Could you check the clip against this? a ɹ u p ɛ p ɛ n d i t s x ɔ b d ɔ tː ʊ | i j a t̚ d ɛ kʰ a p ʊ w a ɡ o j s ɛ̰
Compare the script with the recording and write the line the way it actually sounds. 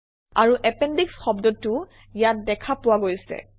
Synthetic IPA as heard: a ɹ u ʔ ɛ p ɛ n d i k s x ɔ b d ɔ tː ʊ | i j a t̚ d ɛ kʰ a p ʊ w a ɡ o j s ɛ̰

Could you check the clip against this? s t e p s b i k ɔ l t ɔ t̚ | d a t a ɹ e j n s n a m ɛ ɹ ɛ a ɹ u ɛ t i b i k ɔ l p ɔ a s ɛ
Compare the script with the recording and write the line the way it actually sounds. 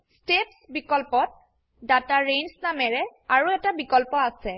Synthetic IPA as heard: s t e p s b i k ɔ l p ɔ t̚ | d a t a ɹ e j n s n a m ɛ ɹ ɛ a ɹ u ɛ t a b i k ɔ l p ɔ a s ɛ

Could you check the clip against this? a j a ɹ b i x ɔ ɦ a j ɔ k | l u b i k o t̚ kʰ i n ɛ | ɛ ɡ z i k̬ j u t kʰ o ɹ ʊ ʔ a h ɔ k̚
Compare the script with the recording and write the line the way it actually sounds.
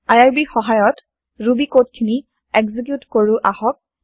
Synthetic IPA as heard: a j a ɹ b i x ɔ ɦ a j ɔ t | ɹ u b i k o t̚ kʰ i n i | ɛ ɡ z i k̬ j u t k o ɹ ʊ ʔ a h ɔ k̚

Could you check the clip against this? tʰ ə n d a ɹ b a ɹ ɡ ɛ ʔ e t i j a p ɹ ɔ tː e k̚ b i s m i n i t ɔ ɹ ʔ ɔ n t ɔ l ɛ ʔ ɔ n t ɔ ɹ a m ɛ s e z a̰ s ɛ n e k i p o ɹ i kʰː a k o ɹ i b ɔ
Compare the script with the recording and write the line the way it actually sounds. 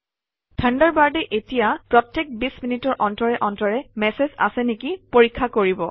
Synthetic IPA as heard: tʰ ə n d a ɹ b a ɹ d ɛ ʔ e t i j a p ɹ ɔ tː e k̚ b i s m i n i t ɔ ɹ ʔ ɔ n t ɔ ɹ ɛ ʔ ɔ n t ɔ ɹ ɛ m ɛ s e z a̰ s ɛ n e k i p o ɹ i kʰː a k o ɹ i b ɔ

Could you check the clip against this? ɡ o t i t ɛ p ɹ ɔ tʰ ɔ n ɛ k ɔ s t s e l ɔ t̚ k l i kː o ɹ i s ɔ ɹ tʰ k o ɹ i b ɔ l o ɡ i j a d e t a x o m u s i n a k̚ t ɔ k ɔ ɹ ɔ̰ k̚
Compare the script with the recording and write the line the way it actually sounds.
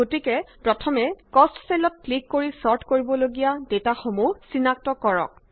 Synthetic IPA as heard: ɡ o t i k ɛ p ɹ ɔ tʰ ɔ m ɛ k ɔ s t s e l ɔ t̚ k l i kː o ɹ i s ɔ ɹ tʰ k o ɹ i b ɔ l o ɡ i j a d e t a x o m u s i n a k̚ t ɔ k ɔ ɹ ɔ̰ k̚

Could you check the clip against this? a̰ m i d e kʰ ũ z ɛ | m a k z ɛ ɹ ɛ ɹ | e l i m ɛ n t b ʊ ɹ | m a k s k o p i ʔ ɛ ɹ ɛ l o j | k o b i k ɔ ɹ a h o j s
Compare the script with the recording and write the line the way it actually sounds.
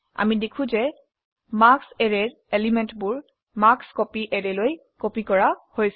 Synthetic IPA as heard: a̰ m i d e kʰ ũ z ɛ | m a k s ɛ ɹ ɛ ɹ | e l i m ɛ n t b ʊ ɹ | m a k s k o p i ʔ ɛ ɹ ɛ l o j | k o p i k ɔ ɹ a h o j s

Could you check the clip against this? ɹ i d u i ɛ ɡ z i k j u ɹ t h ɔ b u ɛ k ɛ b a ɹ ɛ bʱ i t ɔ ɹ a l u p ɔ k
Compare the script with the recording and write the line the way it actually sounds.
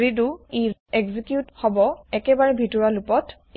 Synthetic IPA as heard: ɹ i d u i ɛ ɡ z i k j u t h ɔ b ɔ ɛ k ɛ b a ɹ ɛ bʱ i t ɔ ɹ a l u p ɔ t

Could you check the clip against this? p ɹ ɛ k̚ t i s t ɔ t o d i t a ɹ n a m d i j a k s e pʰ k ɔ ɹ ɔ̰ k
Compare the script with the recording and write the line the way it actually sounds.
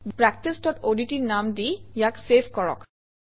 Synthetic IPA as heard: p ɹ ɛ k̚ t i s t ɔ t o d i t i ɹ n a m d i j a k s e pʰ k ɔ ɹ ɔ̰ k

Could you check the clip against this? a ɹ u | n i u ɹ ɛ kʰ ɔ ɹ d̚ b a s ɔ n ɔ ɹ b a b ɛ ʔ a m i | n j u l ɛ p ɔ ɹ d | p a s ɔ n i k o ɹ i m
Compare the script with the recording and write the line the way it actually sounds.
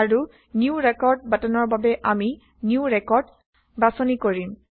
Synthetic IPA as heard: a ɹ u | n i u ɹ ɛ k ɔ ɹ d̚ b a t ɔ n ɔ ɹ b a b ɛ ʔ a m i | n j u ɹ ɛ k ɔ ɹ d | b a s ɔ n i k o ɹ i m

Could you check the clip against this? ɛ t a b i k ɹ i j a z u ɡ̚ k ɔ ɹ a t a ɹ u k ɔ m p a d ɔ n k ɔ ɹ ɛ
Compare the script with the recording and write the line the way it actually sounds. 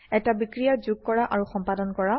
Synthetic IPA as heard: ɛ t a b i k ɹ i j a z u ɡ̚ k ɔ ɹ a ʔ a ɹ u x ɔ m p a d ɔ n k ɔ ɹ a

